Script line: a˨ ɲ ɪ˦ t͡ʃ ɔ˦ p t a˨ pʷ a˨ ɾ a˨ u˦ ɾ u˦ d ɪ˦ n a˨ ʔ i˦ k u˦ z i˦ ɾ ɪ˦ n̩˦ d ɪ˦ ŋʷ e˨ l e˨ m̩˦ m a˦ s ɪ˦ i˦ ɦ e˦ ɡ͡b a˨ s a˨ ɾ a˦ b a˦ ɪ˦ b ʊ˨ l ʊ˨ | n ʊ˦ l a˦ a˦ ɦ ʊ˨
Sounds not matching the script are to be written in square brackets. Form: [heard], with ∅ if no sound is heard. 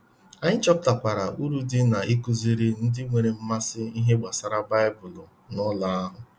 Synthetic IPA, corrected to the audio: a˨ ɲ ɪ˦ t͡ʃ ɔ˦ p t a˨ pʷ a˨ ɾ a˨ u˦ ɾ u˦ d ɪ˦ n a˨ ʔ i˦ k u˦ z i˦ ɾ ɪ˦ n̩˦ d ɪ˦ ŋʷ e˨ [ɾ] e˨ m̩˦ m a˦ s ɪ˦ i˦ ɦ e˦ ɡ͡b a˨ s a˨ ɾ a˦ b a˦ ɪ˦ b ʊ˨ l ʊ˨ | n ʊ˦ l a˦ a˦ ɦ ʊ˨